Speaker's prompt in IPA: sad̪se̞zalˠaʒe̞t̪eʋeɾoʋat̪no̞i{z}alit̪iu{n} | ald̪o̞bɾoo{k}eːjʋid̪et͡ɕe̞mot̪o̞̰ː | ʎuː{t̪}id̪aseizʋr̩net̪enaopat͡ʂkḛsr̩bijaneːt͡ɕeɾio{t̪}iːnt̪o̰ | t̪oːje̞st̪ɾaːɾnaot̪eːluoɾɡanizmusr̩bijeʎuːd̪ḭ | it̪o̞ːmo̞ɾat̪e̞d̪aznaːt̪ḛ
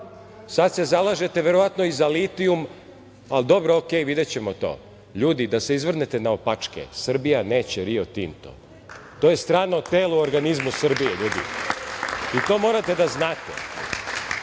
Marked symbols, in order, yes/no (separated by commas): yes, no, yes, no, yes